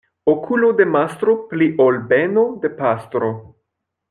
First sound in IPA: o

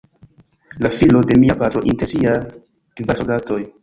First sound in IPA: l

